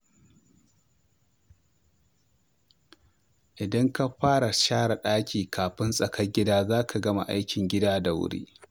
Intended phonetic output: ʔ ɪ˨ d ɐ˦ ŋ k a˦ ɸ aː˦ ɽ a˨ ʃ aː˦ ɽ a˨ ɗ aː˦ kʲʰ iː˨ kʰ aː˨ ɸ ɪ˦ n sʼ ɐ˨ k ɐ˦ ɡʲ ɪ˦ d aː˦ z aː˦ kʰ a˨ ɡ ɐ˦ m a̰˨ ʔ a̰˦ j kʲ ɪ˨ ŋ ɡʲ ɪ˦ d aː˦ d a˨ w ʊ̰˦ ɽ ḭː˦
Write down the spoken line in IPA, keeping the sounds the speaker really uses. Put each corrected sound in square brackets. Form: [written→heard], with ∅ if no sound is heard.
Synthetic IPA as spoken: ʔ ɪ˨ d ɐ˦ ŋ k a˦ ɸ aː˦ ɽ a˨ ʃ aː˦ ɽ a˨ ɗ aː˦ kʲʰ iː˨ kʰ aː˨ ɸ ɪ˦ n sʼ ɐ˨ k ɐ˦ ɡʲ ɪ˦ d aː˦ z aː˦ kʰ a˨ ɡ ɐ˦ m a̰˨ ʔ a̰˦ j kʲ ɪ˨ ŋ ɡʲ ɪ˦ d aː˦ d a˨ w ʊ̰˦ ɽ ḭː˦